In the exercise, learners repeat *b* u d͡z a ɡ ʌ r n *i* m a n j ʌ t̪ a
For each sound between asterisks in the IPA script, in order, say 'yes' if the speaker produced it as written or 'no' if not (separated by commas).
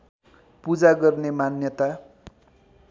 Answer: no, no